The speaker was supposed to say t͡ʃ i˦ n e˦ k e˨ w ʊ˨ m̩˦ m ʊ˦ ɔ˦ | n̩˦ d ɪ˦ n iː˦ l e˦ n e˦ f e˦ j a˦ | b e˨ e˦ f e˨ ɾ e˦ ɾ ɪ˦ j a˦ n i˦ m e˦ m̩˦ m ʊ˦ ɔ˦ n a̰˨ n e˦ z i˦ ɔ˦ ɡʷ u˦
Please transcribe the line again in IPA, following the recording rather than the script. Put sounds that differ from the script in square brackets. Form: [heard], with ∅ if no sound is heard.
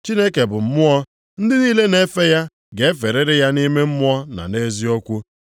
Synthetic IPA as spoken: t͡ʃ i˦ n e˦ k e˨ [b] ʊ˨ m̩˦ m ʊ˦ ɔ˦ | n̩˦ d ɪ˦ n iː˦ l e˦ n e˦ f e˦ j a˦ | [ɡ] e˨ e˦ f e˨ ɾ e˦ ɾ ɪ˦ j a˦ n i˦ m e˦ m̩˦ m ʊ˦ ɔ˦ n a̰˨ n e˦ z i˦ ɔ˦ [kʷ] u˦